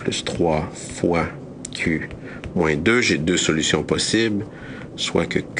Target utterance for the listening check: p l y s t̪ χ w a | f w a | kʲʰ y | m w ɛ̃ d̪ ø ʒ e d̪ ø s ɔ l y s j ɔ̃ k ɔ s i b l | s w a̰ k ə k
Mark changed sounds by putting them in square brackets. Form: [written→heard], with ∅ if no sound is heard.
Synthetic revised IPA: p l y s t̪ χ w a | f w a | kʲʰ y | m w ɛ̃ d̪ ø ʒ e d̪ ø s ɔ l y s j ɔ̃ [k→p] ɔ s i b l | s w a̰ k ə k